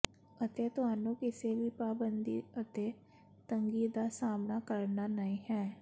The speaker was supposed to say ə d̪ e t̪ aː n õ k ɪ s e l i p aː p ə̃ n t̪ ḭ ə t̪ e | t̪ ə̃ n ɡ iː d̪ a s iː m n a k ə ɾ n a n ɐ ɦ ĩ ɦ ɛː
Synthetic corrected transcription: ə t̪ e t̪ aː n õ k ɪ s e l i p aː b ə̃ n d̪ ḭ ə t̪ e | t̪ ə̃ ŋ ɡ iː d̪ a s aː m n a k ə ɾ n a n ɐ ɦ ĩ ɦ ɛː